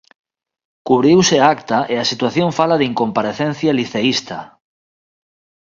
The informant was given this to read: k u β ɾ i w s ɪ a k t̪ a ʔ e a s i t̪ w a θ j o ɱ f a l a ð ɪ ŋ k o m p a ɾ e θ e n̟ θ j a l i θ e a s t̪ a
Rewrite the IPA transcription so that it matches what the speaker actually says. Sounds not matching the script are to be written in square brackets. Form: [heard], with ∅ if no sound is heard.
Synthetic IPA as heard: k u β ɾ i w s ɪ a k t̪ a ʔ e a s i t̪ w a θ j o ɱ f a l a ð [i] ŋ k o m p a ɾ e θ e n̟ θ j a l i θ e [i] s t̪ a